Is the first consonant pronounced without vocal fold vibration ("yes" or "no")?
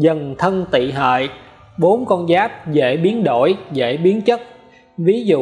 no